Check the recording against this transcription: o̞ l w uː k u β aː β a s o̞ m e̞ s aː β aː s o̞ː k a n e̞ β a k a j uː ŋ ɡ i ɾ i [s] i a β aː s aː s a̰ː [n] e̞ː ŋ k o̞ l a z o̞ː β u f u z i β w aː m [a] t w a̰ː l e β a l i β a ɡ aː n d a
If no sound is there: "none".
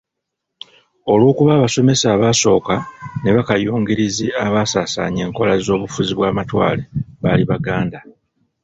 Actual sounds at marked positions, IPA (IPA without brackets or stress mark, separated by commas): z, ɲ, a